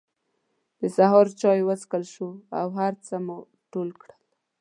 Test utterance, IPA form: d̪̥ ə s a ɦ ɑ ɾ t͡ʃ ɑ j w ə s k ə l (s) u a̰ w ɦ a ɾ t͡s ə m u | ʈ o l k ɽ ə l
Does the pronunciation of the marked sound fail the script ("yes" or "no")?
yes